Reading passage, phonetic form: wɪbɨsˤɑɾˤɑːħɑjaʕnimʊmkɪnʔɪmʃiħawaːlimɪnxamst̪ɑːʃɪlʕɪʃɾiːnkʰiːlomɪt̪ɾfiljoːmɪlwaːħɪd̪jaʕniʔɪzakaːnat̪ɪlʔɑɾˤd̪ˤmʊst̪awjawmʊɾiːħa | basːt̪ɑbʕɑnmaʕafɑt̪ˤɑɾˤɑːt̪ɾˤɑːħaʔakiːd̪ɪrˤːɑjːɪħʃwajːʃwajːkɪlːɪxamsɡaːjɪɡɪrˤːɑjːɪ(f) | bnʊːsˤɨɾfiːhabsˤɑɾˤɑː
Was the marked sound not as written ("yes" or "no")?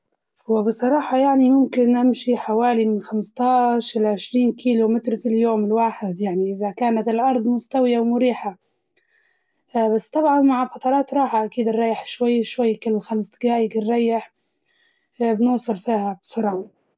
yes